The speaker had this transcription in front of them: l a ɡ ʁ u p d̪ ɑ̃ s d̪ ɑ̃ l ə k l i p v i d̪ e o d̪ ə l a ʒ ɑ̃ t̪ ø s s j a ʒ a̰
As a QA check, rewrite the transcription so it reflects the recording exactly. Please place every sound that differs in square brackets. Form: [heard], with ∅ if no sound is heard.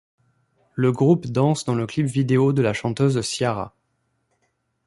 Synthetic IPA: l [ə] ɡ ʁ u p d̪ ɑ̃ s d̪ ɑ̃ l ə k l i p v i d̪ e o d̪ ə l a [ʃ] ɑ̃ t̪ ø [z] s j a [ʁ] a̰